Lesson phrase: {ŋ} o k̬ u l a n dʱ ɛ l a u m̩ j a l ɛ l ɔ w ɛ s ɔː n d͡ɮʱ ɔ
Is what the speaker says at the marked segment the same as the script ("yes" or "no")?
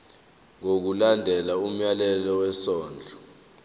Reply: yes